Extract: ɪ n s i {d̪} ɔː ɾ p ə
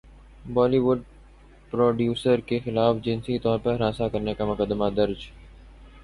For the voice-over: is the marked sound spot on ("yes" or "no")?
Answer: no